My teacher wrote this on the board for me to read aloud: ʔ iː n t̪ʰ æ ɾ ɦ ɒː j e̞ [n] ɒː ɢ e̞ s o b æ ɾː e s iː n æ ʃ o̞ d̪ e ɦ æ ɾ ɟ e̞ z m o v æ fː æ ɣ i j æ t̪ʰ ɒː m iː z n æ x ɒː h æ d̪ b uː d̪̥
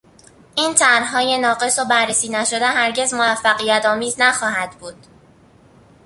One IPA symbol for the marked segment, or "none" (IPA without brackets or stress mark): n